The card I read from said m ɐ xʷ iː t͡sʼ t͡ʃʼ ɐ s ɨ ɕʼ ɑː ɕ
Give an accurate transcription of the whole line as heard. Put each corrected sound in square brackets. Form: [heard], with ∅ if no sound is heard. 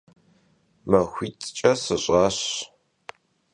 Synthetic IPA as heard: m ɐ xʷ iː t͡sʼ t͡ʃʼ ɐ s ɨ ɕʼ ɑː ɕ

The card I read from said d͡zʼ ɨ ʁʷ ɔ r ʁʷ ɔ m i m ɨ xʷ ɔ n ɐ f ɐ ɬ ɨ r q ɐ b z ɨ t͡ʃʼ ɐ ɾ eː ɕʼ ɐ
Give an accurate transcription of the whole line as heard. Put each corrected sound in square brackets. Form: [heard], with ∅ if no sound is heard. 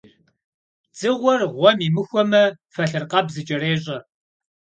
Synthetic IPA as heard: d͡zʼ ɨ ʁʷ ɔ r ʁʷ ɔ m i m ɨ xʷ ɔ [m] ɐ f ɐ ɬ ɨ r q ɐ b z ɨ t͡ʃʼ ɐ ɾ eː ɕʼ ɐ

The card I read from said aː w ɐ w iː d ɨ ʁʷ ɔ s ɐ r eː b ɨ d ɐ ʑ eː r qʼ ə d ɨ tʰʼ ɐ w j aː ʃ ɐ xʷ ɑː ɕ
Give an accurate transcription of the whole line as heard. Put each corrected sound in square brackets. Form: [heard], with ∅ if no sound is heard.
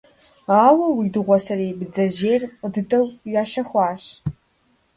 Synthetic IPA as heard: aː w ɐ w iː d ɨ ʁʷ ɔ s ɐ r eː b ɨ [d͡z] ɐ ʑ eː r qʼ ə d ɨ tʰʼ ɐ w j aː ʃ ɐ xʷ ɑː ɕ

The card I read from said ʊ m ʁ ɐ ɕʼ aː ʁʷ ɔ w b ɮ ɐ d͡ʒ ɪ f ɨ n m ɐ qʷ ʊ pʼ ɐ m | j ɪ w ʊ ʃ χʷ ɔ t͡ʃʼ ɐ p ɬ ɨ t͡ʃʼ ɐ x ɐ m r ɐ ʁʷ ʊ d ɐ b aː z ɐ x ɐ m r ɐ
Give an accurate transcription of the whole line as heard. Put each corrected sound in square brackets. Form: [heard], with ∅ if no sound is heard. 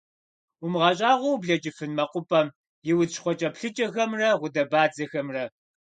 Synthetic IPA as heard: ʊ m ʁ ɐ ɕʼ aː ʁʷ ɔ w b ɮ ɐ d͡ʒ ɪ f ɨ n m ɐ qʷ ʊ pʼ ɐ m | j ɪ w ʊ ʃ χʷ ɔ t͡ʃʼ ɐ p ɬ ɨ t͡ʃʼ ɐ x ɐ m r ɐ ʁʷ ʊ d ɐ b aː [d͡z] ɐ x ɐ m r ɐ

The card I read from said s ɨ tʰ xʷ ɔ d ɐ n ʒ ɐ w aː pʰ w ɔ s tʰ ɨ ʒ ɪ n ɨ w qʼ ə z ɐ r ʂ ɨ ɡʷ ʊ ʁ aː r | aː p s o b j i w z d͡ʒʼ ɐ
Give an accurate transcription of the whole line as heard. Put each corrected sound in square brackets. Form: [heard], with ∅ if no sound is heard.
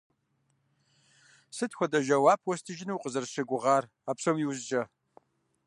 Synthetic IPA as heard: s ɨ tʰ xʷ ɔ d ɐ [∅] ʒ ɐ w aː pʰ w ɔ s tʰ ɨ ʒ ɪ n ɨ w qʼ ə z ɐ r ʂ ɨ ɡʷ ʊ ʁ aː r | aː p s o [m] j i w z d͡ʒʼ ɐ

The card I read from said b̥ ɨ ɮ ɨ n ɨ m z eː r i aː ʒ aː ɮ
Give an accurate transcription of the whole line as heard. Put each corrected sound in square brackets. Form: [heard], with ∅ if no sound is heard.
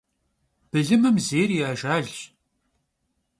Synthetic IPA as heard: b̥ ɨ ɮ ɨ [m] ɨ m z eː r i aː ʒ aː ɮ

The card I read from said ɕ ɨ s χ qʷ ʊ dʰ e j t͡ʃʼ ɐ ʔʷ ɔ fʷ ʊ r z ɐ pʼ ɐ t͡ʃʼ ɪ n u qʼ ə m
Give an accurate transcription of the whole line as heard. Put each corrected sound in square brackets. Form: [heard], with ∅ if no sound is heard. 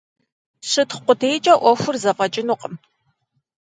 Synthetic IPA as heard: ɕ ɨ [t] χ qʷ ʊ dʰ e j t͡ʃʼ ɐ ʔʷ ɔ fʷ ʊ r z ɐ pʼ ɐ t͡ʃʼ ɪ n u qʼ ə m

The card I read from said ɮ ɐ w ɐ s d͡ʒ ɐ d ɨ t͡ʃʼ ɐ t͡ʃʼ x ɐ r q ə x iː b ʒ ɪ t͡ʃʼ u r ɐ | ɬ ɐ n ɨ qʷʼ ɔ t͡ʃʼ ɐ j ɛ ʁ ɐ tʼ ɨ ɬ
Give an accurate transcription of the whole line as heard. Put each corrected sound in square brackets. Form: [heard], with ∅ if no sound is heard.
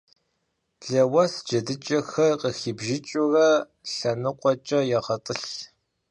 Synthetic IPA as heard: ɮ ɐ w ɐ s d͡ʒ ɐ d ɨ t͡ʃʼ ɐ [∅] x ɐ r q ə x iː b ʒ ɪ t͡ʃʼ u r ɐ | ɬ ɐ n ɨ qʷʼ ɔ t͡ʃʼ ɐ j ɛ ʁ ɐ tʼ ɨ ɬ

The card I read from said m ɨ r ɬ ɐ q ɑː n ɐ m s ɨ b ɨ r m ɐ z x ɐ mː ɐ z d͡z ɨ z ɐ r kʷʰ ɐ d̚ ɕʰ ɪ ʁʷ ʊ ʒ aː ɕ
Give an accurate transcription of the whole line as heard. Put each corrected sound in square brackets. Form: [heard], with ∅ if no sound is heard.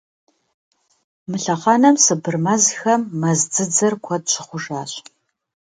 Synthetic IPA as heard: m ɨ [∅] ɬ ɐ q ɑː n ɐ m s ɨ b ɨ r m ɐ z x ɐ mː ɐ z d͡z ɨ [d͡z] ɐ r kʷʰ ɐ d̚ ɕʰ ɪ [χʷ] ʊ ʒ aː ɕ

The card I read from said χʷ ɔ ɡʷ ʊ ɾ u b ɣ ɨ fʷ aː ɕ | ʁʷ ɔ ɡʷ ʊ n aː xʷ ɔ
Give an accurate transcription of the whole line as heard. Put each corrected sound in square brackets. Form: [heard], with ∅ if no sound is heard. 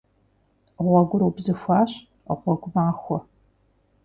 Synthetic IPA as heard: [ʁʷ] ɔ ɡʷ ʊ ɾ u b [z] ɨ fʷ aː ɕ | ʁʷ ɔ ɡʷ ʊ [m] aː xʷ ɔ

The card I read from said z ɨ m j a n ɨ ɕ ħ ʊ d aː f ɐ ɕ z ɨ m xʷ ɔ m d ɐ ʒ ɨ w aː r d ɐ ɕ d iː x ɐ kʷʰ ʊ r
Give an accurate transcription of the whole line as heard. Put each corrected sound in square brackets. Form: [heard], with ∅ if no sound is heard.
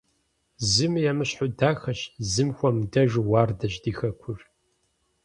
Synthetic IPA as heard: z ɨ m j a [m] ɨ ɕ ħ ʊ d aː [x] ɐ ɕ z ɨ m xʷ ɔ m d ɐ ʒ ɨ w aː r d ɐ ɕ d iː x ɐ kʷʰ ʊ r

